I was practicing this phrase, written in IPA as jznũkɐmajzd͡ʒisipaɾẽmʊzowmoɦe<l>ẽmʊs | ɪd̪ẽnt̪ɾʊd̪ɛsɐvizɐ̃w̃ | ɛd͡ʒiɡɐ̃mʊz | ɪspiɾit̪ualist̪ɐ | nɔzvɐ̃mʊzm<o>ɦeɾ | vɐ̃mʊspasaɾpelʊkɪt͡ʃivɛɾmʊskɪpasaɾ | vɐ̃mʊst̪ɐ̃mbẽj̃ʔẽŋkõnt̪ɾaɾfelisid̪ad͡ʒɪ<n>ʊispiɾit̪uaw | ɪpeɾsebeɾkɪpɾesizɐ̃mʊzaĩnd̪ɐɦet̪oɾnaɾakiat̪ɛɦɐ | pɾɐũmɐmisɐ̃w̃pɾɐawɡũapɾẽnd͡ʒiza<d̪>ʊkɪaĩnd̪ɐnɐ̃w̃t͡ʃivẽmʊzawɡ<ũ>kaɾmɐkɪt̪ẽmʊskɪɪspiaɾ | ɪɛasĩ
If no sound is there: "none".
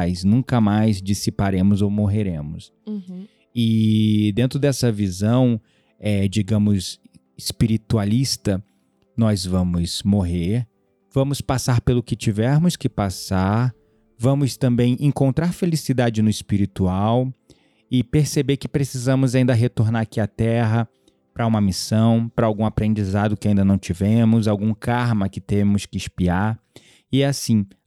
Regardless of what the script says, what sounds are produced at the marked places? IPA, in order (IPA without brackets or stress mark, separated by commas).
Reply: ɾ, o, n, d̪, ũ